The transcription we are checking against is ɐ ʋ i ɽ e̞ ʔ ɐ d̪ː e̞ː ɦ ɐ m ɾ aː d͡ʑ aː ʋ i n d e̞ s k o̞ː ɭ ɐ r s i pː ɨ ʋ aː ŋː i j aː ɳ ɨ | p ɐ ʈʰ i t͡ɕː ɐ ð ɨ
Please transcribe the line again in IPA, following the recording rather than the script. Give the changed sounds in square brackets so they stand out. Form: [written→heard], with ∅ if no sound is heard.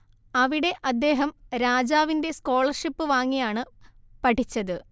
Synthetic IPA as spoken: ɐ ʋ i ɽ e̞ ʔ ɐ d̪ː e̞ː ɦ ɐ m ɾ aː d͡ʑ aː ʋ i n d e̞ s k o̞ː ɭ ɐ r [s→ʂ] i pː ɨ ʋ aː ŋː i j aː ɳ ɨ | p ɐ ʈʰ i t͡ɕː ɐ ð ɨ